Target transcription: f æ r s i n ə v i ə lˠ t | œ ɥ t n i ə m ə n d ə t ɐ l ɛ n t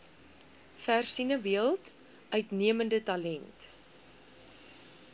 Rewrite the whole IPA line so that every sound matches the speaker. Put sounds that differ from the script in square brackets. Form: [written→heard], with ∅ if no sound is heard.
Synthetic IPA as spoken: f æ r s i n ə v i ə lˠ t | œ ɥ t n i ə m ə n d ə t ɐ l ɛ n t